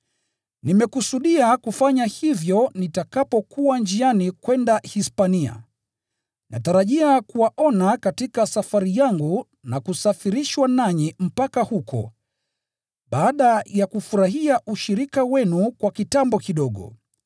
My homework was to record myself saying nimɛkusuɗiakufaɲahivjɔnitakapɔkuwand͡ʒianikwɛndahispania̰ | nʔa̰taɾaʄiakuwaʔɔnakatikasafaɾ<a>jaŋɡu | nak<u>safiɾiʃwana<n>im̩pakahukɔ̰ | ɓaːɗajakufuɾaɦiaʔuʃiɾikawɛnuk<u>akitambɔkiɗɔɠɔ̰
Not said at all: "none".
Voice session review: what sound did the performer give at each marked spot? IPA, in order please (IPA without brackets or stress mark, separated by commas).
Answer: i, u, ɲ, w